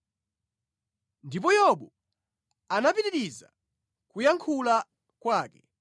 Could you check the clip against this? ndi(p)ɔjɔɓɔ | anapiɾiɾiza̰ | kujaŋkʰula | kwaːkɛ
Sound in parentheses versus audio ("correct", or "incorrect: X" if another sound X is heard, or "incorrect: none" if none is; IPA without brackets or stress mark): correct